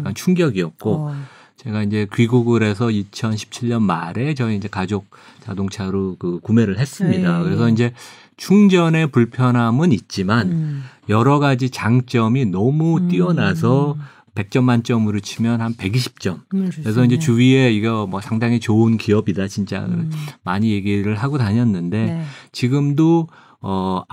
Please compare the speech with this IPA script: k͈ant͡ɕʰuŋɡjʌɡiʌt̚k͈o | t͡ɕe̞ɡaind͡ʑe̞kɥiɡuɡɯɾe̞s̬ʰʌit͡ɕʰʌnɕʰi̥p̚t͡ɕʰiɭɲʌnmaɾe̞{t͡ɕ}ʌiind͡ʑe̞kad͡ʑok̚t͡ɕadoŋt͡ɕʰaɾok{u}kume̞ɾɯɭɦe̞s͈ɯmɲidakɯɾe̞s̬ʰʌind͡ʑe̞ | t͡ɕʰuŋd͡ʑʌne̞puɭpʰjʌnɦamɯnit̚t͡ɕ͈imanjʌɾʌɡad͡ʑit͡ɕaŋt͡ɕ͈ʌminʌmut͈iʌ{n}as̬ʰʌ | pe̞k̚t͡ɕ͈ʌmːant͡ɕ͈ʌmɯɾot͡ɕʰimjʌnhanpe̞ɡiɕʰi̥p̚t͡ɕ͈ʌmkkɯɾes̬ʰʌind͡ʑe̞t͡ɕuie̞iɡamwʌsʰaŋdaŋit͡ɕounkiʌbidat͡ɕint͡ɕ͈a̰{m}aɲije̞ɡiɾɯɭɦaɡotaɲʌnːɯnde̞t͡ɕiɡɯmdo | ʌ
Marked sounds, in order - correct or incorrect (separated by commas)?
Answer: correct, incorrect, correct, correct